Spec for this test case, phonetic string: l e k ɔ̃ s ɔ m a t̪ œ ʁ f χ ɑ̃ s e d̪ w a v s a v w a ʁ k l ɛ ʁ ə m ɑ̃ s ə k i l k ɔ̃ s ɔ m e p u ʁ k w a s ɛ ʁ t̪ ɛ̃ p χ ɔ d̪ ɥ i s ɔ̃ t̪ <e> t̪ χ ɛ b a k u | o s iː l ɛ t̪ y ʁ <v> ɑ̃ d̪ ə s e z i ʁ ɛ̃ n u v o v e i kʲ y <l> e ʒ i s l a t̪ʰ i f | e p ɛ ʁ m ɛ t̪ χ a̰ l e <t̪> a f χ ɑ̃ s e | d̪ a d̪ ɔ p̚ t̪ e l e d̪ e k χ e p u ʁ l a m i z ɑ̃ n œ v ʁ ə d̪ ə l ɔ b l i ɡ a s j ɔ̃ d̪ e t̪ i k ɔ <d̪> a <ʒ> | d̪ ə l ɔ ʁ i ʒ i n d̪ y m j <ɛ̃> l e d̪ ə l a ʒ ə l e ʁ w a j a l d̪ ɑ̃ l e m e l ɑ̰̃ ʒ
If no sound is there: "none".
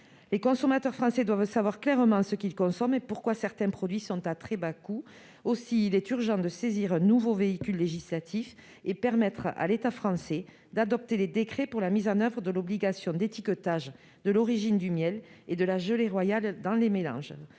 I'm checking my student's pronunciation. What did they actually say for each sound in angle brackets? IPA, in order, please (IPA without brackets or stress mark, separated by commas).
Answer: a, ʒ, lː, t̪, t̪, ʒ, ɛ